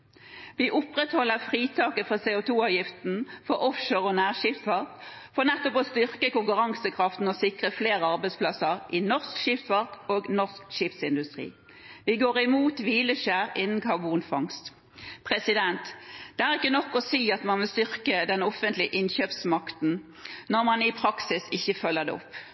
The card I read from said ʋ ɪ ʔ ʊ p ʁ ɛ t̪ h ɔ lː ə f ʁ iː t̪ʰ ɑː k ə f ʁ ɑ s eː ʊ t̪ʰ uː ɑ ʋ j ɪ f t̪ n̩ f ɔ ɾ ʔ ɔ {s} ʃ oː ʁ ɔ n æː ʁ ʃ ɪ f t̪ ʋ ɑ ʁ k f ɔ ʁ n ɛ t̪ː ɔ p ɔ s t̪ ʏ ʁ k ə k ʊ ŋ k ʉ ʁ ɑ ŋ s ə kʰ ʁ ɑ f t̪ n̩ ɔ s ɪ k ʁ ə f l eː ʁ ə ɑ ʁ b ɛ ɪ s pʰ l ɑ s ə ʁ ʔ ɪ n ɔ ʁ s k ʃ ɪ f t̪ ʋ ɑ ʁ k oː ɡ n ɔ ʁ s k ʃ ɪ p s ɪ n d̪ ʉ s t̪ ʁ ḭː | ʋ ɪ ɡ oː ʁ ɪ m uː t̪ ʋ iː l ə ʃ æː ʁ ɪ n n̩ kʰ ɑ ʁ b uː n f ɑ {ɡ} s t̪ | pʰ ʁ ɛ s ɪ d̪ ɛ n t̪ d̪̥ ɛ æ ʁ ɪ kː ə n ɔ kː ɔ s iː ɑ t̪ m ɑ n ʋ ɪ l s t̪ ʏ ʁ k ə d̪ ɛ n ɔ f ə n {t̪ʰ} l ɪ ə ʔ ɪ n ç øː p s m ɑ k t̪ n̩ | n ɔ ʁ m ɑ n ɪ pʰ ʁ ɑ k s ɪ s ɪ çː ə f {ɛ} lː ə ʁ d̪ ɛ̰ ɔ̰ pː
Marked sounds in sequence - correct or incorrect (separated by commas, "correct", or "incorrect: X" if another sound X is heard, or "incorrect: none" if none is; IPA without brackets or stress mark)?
incorrect: f, incorrect: ŋ, incorrect: t̪, incorrect: œ